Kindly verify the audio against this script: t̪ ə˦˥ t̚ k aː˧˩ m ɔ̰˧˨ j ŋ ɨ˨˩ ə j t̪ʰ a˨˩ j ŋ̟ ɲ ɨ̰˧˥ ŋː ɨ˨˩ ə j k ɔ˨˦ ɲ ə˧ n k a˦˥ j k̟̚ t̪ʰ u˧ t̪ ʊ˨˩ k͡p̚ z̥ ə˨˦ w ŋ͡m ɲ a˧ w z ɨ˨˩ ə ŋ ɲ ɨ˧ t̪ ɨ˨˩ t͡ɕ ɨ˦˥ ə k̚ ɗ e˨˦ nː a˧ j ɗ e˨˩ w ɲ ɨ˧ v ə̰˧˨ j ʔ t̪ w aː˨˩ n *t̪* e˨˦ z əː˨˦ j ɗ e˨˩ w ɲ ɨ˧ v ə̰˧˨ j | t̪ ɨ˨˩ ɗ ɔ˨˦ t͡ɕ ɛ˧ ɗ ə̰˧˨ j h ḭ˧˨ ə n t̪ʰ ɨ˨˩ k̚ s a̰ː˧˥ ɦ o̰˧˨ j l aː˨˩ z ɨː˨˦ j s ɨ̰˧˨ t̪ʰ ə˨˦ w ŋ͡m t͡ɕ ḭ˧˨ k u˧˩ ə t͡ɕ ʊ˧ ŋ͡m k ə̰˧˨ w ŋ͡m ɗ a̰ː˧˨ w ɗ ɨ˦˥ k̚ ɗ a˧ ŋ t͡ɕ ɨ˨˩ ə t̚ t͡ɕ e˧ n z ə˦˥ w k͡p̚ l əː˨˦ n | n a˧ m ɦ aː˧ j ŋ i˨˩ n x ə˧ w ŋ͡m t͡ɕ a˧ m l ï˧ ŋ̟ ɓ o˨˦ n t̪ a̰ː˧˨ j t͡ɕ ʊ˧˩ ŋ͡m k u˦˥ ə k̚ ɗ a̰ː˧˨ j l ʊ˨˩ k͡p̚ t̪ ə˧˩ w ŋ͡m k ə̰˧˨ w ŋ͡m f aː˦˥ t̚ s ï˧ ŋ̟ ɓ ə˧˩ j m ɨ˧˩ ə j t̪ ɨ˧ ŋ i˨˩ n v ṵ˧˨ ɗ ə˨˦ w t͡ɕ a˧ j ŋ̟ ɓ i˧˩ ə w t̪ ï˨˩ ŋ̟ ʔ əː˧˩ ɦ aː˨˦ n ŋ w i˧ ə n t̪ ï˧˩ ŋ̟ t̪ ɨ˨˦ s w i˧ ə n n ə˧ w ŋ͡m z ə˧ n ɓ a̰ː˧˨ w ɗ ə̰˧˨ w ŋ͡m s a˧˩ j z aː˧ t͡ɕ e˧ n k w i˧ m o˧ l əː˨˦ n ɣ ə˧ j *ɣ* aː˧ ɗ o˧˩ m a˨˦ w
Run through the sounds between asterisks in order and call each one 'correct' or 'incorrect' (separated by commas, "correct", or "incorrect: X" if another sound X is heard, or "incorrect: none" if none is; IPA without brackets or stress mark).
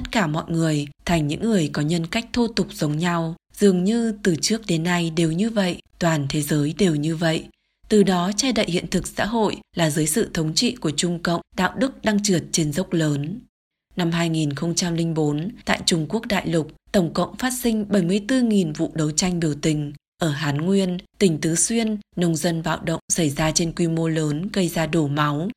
incorrect: t̪ʰ, incorrect: z